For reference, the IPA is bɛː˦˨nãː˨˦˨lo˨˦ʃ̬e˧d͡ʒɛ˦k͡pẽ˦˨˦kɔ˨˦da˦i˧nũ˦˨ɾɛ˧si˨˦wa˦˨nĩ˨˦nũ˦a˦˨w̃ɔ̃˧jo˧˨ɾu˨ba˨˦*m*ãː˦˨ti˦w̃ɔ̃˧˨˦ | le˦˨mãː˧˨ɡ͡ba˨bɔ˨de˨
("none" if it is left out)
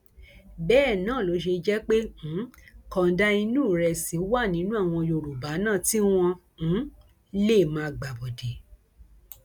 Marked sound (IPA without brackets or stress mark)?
n